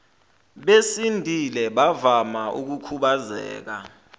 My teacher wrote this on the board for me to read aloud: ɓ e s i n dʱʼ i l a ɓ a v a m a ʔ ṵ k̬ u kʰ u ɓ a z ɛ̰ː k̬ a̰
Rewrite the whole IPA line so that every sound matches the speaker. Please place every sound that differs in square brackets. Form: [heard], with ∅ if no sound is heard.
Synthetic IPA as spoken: ɓ e s i n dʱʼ i l [ɛ] ɓ a v a m a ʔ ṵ k̬ u kʰ u ɓ a z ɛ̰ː k̬ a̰